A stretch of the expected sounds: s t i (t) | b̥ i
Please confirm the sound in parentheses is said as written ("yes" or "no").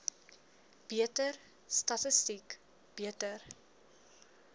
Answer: no